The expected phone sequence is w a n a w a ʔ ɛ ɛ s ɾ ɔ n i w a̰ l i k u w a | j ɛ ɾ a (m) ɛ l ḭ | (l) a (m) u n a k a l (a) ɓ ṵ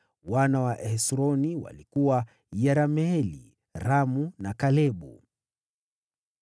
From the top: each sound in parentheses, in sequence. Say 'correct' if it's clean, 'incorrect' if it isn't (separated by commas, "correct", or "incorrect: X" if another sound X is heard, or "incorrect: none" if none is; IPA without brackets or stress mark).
correct, incorrect: ɾ, correct, incorrect: ɛ